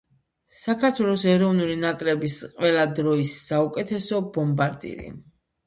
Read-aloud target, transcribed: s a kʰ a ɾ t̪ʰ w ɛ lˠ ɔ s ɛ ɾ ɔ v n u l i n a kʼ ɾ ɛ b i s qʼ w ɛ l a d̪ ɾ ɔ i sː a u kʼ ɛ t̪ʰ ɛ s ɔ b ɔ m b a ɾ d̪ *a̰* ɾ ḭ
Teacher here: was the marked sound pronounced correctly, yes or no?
no